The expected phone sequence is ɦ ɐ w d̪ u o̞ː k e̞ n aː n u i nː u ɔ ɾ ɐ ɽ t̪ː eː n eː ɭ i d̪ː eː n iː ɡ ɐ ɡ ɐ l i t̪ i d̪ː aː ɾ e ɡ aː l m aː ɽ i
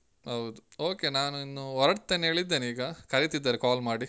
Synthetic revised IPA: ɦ ɐ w d̪ u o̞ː k e̞ n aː n u i nː u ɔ ɾ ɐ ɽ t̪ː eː n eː ɭ i d̪ː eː n iː ɡ ɐ k ɐ ɾ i t̪ i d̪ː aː ɾ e k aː l m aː ɽ i